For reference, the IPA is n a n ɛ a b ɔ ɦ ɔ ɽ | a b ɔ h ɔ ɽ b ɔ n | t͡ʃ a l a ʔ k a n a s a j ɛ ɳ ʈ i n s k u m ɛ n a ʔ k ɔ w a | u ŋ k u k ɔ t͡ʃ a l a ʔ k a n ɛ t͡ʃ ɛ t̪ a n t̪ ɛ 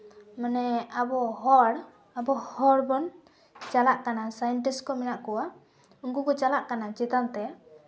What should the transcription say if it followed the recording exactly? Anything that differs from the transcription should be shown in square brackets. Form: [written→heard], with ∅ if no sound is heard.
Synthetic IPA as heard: [n→m] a n ɛ a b ɔ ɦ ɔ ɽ | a b ɔ h ɔ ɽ b ɔ n | t͡ʃ a l a ʔ k a n a s a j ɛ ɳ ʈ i [n→∅] s k [u→ɔ] m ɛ n a ʔ k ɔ w a | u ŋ k u k ɔ t͡ʃ a l a ʔ k a n [ɛ→a] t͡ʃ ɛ t̪ a n t̪ ɛ

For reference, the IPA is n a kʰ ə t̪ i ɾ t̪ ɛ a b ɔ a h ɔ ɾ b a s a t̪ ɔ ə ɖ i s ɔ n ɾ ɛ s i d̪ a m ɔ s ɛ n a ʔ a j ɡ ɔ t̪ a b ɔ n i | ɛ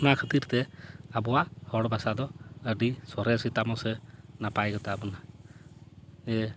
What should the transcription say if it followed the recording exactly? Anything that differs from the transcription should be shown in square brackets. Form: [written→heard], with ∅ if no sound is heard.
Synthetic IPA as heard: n a kʰ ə t̪ i ɾ t̪ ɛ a b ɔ a h ɔ [ɾ→ɽ] b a s a [t̪→d̪] ɔ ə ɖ i s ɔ [n→∅] ɾ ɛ s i [d̪→t̪] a m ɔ s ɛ n a [ʔ→p] a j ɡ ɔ t̪ a b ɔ n [i→a] | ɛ

